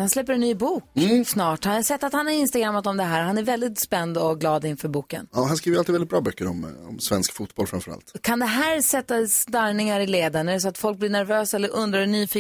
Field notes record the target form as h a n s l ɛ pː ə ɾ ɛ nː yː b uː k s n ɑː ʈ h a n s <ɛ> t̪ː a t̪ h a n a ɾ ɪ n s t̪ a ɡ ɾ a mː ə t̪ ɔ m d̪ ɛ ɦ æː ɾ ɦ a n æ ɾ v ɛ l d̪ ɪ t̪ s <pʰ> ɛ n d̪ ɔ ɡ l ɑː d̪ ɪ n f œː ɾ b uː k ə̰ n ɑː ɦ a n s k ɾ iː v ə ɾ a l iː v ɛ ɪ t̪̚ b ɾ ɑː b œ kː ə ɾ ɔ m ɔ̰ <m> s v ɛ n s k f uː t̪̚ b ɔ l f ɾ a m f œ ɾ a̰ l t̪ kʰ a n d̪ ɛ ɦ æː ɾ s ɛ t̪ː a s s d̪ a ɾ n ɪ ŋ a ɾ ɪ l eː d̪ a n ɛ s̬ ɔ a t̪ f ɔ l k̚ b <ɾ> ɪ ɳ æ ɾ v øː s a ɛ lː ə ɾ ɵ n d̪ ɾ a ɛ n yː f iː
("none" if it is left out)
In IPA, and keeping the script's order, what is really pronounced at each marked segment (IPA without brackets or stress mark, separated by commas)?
ɛ, p, m, l